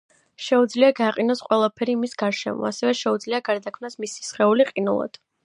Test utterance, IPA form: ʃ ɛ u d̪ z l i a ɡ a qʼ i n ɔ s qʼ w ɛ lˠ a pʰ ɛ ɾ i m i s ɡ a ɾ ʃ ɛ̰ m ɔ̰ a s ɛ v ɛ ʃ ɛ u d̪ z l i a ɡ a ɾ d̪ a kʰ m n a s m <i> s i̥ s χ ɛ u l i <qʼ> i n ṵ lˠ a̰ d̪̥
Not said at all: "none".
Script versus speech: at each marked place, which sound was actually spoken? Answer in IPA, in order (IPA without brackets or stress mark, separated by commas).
i, qʼ